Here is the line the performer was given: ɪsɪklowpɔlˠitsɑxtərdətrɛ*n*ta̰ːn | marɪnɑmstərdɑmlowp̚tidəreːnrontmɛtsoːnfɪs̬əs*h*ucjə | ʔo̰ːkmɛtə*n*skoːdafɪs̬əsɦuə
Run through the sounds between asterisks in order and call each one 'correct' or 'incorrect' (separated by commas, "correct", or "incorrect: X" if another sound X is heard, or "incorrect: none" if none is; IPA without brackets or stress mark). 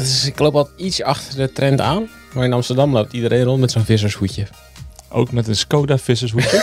correct, correct, correct